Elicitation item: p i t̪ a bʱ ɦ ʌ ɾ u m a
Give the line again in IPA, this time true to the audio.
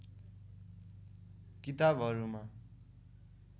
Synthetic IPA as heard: k i t̪ a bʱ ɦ ʌ ɾ u m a